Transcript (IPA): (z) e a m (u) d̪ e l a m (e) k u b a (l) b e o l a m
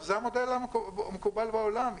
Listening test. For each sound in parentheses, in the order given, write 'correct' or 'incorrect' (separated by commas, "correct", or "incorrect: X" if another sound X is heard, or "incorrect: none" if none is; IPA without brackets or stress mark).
correct, incorrect: o, correct, correct